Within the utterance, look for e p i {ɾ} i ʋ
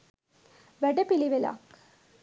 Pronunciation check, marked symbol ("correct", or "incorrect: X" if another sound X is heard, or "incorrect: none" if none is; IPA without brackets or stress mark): incorrect: l